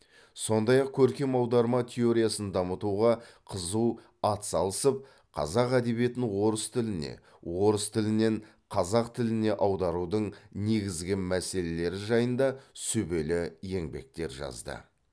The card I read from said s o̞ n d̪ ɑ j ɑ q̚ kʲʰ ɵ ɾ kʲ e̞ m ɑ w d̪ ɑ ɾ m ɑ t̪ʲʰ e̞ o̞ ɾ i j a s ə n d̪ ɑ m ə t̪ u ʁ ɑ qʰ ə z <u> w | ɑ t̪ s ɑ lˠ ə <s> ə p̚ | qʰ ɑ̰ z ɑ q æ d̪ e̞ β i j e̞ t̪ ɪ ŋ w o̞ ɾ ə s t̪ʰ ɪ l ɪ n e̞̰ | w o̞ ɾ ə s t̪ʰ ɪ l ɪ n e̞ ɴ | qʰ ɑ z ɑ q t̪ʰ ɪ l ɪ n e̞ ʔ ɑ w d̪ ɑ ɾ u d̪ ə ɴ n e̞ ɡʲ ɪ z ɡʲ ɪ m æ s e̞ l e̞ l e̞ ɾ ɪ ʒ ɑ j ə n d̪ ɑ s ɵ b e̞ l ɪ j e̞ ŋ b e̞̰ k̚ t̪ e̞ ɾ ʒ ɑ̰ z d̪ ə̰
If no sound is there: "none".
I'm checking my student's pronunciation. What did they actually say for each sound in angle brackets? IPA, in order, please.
u, s

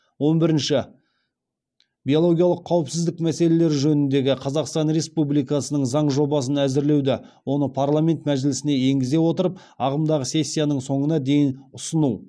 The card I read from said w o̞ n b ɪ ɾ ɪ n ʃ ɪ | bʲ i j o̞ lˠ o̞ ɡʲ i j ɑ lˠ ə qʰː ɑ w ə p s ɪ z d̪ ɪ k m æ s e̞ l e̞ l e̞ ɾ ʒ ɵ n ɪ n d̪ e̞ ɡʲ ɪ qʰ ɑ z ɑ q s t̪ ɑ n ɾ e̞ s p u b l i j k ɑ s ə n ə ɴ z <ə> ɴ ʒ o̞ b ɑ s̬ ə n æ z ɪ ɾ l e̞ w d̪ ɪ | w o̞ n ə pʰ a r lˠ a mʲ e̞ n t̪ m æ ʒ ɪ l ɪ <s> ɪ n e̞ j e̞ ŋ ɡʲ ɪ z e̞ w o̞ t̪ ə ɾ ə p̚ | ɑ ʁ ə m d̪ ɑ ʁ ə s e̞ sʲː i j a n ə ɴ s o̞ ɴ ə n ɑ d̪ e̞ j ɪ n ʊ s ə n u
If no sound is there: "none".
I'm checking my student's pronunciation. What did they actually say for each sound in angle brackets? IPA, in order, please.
ɑ, s

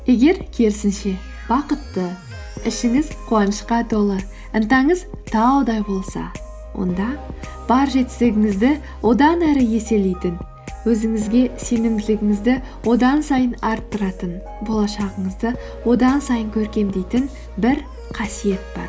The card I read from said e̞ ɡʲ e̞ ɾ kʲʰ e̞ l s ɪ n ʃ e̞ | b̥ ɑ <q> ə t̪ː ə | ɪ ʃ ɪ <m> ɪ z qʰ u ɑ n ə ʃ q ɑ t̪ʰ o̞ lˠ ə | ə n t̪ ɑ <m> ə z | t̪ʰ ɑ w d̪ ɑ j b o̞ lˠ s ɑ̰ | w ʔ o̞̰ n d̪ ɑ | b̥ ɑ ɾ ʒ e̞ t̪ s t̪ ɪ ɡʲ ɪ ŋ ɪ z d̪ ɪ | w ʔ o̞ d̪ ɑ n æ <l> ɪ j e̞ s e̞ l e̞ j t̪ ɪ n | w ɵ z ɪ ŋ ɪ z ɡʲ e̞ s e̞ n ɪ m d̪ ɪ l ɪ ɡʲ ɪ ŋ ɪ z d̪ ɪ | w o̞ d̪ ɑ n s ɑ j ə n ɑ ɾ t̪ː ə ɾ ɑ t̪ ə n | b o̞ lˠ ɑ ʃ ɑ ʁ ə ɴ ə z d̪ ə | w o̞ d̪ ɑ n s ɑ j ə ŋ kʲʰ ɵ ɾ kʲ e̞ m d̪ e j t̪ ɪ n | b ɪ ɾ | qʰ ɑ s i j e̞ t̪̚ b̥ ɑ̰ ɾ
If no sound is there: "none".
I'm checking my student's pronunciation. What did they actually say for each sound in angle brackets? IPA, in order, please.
q, ŋ, ɴ, ɾ

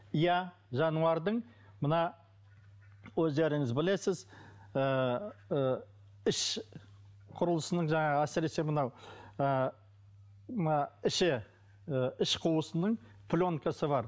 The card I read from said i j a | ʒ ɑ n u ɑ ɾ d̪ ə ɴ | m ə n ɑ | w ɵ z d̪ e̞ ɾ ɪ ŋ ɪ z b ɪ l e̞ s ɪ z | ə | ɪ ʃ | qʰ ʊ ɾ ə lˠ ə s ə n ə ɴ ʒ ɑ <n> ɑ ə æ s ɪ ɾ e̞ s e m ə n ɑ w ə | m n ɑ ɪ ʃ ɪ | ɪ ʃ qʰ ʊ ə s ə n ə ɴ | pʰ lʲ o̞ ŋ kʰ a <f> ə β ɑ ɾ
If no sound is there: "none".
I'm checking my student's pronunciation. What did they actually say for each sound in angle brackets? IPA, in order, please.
ɴ, s

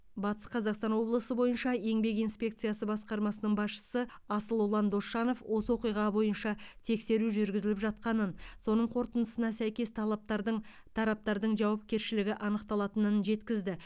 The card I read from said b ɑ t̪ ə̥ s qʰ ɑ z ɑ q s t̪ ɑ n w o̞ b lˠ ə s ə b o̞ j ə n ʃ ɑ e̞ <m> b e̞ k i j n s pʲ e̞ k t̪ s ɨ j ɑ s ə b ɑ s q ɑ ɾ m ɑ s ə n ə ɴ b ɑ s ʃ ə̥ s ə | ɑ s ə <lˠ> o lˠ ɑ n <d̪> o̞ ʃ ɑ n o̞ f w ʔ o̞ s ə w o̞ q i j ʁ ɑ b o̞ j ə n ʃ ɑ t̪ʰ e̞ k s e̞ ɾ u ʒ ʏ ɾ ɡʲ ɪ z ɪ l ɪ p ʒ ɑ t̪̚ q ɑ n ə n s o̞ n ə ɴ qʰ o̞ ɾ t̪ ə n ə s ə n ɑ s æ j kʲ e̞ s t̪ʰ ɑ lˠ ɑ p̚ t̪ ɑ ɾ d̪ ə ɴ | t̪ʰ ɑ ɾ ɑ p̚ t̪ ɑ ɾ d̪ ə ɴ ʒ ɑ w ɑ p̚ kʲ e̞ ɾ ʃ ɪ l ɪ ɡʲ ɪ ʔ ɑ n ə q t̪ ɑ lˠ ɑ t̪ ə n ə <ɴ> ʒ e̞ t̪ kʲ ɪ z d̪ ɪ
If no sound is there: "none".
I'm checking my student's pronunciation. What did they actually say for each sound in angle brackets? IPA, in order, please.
ŋ, lˠ, d̪, n

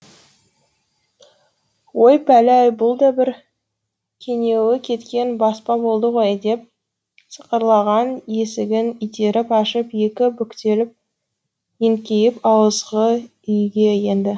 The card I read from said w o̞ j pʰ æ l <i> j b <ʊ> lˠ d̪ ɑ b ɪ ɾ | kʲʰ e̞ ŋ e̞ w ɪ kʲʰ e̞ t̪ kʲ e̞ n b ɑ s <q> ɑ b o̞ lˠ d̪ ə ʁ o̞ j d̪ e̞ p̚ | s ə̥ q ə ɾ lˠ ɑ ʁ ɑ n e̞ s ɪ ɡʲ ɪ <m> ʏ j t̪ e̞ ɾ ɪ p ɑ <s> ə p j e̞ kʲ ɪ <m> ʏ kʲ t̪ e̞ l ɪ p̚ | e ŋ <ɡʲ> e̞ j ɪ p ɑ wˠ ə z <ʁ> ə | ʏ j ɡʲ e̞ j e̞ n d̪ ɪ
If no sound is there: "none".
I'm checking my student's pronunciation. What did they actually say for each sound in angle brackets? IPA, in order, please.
æ, ʊ, p, n, ʃ, b, kʲ, ʁ

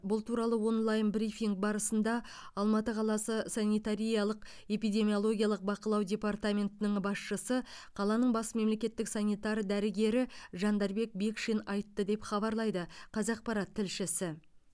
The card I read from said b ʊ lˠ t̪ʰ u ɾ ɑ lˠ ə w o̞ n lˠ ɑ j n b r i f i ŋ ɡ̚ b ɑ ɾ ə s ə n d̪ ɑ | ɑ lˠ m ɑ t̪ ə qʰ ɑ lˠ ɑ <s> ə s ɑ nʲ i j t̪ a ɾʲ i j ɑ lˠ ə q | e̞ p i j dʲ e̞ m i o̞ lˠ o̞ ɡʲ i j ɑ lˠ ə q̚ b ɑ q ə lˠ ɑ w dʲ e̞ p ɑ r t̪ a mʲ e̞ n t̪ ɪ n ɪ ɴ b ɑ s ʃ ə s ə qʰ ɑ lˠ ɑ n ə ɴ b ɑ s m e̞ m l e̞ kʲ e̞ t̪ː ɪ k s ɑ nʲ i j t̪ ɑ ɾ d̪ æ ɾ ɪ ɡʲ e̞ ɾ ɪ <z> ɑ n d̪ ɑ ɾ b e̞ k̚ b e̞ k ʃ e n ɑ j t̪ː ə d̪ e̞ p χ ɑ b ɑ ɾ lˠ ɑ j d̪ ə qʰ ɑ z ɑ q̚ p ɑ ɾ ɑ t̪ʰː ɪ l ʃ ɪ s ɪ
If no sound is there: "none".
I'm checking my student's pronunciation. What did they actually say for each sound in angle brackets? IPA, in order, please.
s, ʒ

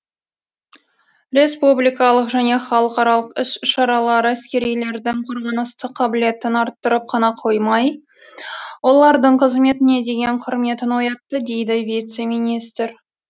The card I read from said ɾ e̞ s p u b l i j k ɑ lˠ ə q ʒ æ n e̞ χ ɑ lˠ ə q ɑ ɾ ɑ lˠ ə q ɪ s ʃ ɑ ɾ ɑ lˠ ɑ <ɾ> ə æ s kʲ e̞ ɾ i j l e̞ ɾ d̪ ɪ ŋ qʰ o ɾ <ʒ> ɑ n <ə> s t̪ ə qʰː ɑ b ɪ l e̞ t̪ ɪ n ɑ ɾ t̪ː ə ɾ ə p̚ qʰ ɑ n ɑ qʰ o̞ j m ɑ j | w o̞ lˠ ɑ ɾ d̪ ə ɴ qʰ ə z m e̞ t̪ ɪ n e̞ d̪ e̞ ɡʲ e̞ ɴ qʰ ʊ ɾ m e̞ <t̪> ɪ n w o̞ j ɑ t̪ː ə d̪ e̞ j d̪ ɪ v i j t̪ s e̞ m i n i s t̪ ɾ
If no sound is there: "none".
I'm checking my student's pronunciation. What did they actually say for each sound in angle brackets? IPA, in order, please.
ɾ, ʁ, ə, t̪

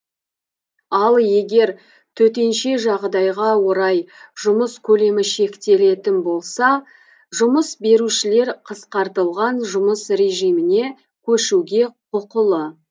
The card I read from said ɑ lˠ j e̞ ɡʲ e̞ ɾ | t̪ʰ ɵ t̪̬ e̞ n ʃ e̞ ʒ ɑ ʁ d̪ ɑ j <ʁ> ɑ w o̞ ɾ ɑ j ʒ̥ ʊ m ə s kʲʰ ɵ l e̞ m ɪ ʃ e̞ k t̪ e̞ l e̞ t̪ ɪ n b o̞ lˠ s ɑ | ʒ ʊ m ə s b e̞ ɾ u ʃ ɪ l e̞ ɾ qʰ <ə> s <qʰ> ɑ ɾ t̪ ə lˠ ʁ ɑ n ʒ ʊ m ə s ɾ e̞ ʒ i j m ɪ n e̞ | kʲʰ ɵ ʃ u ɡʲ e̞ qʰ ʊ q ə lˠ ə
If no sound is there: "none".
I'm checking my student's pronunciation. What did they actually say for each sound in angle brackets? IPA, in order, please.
ʁ, ə, q

